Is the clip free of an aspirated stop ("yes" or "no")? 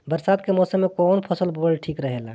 no